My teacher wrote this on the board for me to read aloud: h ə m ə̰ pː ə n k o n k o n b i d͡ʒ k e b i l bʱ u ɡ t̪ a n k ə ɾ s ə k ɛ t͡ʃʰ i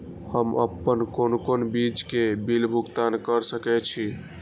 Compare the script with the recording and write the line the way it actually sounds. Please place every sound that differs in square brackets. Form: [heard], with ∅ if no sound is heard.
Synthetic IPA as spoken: h ə m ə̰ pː ə n k o n k o n b i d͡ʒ k e b i l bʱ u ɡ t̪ a n k ə ɾ s ə k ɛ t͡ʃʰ i